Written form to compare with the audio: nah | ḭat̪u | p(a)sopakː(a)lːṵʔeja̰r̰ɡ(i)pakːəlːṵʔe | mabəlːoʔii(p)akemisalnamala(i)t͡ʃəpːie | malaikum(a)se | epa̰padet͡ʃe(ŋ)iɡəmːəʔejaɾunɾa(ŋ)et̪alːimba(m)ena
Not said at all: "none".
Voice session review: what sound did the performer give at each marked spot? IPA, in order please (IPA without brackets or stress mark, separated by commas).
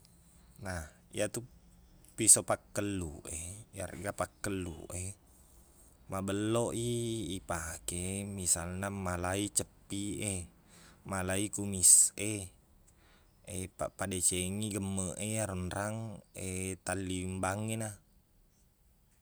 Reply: i, ə, a, p, i, i, ŋ, ŋ, ŋ